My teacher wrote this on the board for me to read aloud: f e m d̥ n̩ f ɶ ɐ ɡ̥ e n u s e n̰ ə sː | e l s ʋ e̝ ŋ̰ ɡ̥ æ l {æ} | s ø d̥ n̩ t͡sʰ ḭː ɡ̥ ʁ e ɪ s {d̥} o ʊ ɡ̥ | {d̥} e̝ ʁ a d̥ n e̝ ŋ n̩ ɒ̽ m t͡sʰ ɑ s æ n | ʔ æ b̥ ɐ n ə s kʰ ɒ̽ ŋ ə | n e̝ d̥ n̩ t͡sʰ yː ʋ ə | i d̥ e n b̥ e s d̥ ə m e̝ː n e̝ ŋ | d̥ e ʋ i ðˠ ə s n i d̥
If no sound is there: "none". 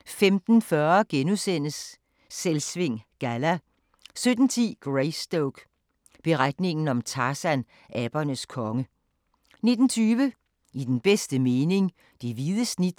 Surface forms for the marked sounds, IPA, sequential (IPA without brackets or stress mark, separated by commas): æ, d̥, b̥